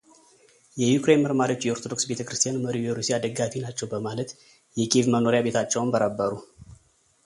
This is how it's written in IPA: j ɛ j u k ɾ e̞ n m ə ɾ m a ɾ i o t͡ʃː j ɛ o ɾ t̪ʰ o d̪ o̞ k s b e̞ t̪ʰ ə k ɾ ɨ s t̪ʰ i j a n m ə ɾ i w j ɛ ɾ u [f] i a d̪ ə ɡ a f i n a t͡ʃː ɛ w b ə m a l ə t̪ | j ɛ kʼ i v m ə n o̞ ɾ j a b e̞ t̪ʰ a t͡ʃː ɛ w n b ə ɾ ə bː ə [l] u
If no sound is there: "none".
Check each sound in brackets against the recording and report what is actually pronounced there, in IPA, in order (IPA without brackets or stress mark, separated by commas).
s, ɾ